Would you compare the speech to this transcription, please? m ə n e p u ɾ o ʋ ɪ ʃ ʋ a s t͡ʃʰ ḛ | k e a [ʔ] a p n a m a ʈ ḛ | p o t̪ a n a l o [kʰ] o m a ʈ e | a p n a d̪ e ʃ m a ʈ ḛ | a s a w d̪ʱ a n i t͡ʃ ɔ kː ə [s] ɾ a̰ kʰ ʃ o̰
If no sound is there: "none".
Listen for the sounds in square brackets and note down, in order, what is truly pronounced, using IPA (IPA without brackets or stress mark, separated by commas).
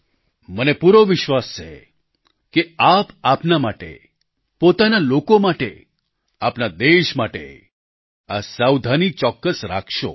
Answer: p, k, s